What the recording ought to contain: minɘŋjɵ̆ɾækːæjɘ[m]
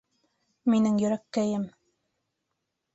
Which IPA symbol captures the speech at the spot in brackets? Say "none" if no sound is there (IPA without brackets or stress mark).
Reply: m